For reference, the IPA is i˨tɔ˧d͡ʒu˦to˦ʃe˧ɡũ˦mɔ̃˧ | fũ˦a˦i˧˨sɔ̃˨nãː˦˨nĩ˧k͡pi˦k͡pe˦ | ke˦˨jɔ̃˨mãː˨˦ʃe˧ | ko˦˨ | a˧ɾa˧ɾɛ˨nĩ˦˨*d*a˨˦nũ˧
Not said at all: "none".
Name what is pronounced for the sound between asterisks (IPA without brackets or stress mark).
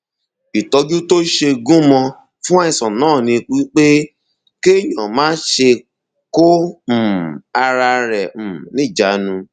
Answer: d͡ʒ